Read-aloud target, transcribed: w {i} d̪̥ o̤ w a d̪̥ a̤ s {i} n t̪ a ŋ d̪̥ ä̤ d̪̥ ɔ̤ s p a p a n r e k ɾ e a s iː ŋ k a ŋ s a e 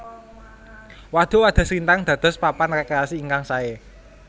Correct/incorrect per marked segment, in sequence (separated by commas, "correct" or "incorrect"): incorrect, correct